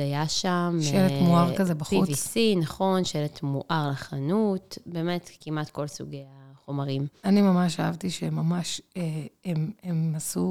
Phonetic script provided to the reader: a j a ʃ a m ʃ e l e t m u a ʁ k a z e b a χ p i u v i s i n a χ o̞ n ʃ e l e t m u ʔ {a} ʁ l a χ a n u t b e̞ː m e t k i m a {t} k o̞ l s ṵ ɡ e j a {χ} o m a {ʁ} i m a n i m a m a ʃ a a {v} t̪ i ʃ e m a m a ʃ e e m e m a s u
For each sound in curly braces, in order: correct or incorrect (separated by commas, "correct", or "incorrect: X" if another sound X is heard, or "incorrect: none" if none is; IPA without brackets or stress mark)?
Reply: correct, correct, correct, correct, correct